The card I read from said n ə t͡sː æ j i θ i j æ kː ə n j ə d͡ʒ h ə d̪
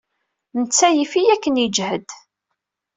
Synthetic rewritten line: n ə t͡sː æ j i f i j æ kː ə n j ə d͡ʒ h ə d̪